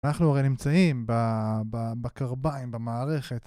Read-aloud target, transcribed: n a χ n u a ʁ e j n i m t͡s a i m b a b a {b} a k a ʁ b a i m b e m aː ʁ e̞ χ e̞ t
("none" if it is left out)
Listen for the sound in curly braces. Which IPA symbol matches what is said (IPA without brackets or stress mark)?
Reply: b